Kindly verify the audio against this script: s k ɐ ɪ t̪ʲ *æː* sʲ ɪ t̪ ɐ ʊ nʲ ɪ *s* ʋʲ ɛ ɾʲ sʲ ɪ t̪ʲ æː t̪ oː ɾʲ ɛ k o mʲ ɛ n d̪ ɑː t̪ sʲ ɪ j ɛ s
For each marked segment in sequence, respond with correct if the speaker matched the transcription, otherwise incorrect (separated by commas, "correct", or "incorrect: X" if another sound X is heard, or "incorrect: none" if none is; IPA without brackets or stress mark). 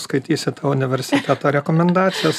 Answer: incorrect: iː, incorrect: none